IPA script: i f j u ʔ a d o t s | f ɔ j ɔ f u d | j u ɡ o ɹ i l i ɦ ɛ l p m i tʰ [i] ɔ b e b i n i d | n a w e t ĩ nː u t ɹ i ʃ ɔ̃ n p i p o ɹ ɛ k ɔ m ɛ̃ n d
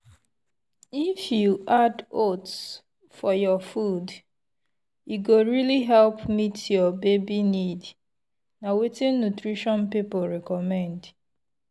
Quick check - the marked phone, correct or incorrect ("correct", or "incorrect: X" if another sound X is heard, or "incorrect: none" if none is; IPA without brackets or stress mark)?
incorrect: j